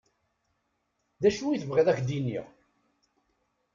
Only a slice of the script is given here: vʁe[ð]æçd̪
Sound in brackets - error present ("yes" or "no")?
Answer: no